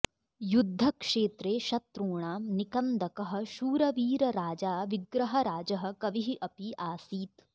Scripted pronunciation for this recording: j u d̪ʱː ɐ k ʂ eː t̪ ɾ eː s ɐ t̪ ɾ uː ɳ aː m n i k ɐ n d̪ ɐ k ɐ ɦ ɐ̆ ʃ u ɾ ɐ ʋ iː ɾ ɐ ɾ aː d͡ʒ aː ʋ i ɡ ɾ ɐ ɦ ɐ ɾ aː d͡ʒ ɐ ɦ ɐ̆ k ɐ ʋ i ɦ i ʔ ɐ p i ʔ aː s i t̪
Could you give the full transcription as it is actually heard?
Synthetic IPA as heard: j u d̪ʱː ɐ k ʂ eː t̪ ɾ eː ʃ ɐ t̪ ɾ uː ɳ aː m n i k ɐ n d̪ ɐ k ɐ ɦ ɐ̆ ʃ uː ɾ ɐ ʋ iː ɾ ɐ ɾ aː d͡ʒ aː ʋ i ɡ ɾ ɐ ɦ ɐ ɾ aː d͡ʒ ɐ ɦ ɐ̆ k ɐ ʋ i ɦ i ʔ ɐ p i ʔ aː s iː t̪